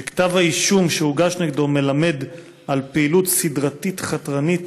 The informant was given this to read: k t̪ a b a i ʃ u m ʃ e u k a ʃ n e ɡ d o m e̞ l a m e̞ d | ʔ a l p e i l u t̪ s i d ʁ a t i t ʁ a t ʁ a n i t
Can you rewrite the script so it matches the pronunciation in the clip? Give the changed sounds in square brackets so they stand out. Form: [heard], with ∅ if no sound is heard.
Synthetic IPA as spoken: k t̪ a [v] a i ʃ u m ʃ e u [ɡ] a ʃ n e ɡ d o m e̞ l a m e̞ d | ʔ a l p e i l u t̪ s i d ʁ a t i t [χ] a t ʁ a n i t